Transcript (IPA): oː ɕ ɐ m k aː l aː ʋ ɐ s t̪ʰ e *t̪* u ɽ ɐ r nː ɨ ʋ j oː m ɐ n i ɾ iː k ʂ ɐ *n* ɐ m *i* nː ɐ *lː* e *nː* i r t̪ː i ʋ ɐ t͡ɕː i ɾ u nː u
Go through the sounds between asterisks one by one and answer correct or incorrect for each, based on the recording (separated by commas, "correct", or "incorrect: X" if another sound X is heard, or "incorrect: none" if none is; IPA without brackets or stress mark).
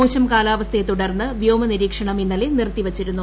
correct, incorrect: ɳ, correct, incorrect: l, incorrect: n